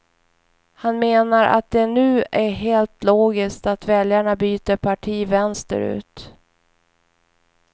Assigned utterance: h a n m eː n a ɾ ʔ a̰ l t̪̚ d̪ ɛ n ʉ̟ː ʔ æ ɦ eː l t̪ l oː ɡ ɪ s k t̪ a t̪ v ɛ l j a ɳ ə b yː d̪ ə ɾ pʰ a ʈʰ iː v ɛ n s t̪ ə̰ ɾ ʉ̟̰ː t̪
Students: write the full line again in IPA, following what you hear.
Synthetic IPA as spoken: h a n m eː n a ɾ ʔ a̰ t̪̚ d̪ ɛ n ʉ̟ː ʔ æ ɦ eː l t̪ l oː ɡ ɪ s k t̪ a t̪ v ɛ l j a ɳ a b yː t̪ ə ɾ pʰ a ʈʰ iː v ɛ n s t̪ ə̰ ɾ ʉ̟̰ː t̪